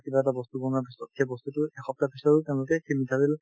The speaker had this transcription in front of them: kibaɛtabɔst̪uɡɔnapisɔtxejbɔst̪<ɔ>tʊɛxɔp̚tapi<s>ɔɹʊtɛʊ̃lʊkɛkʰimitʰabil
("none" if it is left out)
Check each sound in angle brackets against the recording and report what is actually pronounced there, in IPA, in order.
u, s

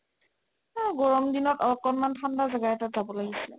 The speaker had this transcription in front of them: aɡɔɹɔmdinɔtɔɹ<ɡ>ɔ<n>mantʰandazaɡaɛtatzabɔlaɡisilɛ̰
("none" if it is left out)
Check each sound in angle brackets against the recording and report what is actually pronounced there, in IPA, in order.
k, n

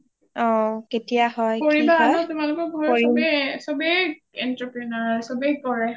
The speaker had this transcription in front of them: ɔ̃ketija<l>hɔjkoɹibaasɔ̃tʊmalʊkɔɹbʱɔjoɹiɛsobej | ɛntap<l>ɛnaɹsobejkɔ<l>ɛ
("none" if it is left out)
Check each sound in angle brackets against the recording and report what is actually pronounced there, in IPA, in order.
none, ɹ, ɹ

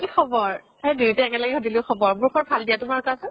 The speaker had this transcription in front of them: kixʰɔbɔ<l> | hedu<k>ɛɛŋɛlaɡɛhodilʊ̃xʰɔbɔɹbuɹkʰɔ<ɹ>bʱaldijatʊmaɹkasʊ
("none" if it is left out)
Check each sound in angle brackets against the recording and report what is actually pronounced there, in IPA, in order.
ɹ, t, ɹ

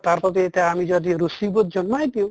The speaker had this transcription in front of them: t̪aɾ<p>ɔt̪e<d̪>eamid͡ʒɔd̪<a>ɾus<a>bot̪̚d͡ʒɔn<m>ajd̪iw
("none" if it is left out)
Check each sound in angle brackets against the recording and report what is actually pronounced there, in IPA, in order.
p, t̪, i, i, m

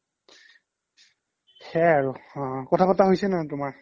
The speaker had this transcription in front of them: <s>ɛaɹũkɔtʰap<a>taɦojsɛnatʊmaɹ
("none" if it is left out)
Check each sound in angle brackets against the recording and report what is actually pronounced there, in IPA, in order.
x, a

